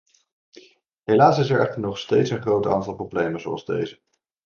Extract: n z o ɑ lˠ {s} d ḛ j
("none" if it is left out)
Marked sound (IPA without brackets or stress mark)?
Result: z